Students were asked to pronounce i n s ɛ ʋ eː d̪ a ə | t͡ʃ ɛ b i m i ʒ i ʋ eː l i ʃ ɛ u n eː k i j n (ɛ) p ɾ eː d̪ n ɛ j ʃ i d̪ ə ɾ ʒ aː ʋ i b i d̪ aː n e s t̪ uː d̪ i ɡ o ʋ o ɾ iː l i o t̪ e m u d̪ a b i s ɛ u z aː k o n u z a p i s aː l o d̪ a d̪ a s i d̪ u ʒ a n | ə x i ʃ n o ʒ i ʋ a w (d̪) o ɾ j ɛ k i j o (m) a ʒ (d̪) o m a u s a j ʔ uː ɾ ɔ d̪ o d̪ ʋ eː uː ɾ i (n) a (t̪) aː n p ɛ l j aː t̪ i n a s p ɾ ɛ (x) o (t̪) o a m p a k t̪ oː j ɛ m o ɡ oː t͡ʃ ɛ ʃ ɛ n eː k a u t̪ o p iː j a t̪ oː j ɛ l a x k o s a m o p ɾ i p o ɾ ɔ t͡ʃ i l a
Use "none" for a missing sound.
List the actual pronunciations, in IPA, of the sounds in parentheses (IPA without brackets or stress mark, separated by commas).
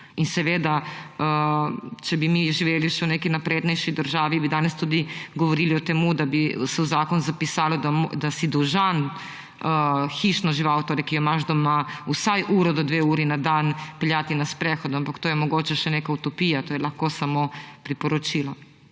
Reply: a, t̪, m, d̪, n, d̪, x, d̪